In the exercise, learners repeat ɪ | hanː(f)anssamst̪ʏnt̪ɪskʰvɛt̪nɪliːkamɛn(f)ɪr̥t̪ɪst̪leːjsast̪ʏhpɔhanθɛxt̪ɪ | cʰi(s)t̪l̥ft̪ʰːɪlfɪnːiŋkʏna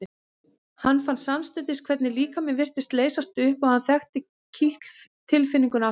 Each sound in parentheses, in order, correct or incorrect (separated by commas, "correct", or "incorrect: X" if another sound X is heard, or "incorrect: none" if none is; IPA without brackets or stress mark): correct, incorrect: v, incorrect: h